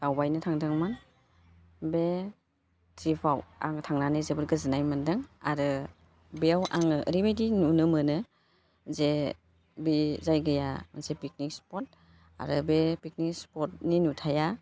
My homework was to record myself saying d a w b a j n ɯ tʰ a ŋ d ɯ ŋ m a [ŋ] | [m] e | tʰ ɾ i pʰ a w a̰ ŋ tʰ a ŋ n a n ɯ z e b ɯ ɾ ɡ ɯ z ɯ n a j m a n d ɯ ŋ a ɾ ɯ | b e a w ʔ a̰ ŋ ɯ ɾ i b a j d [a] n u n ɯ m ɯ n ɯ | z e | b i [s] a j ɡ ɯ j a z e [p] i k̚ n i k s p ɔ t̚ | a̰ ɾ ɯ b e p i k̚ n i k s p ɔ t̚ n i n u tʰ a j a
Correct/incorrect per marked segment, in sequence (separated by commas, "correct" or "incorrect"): incorrect, incorrect, incorrect, incorrect, correct